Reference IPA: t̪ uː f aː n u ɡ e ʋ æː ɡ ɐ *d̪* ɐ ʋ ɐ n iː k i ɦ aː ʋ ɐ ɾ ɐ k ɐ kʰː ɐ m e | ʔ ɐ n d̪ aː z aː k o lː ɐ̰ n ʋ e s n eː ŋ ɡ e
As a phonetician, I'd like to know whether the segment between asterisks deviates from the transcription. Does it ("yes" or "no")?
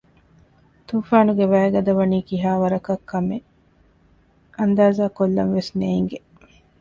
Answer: no